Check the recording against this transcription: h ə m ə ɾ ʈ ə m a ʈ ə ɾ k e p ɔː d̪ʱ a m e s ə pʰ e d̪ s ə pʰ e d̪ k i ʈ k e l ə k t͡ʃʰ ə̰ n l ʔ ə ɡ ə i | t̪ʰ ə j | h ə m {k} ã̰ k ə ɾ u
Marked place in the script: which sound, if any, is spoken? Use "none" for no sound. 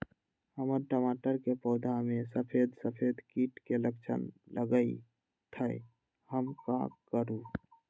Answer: k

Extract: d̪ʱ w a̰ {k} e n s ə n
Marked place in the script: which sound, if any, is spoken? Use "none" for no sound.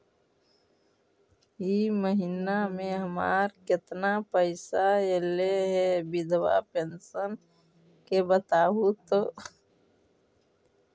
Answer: p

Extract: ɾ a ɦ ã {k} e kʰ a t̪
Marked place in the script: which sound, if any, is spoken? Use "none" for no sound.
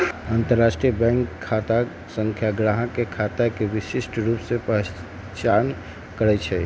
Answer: k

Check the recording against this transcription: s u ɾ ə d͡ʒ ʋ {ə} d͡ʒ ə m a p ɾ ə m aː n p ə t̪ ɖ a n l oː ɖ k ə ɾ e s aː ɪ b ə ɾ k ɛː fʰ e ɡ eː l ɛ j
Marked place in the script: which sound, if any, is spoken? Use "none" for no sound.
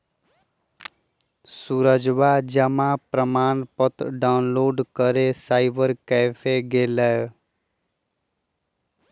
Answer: a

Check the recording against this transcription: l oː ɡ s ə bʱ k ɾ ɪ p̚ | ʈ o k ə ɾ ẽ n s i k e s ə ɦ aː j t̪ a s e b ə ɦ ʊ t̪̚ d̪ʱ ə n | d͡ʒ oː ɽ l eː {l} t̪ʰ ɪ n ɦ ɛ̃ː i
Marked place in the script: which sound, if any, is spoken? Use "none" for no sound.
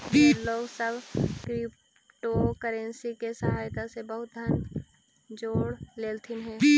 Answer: l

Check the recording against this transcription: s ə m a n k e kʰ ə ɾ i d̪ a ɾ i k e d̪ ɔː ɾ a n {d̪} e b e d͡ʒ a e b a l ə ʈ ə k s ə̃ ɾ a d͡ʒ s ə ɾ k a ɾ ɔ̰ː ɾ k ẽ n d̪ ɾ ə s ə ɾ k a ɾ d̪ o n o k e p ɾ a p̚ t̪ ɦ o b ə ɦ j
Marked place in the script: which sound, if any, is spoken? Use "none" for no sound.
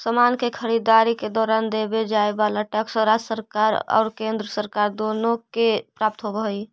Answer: d̪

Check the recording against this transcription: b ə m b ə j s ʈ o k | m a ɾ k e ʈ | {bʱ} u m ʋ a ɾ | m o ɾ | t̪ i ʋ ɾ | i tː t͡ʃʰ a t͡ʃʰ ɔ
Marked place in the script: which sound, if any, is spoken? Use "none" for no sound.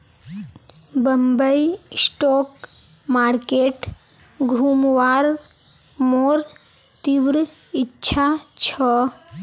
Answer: ɡʱ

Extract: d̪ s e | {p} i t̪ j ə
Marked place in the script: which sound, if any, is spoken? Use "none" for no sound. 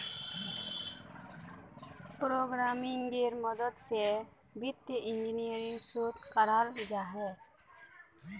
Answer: b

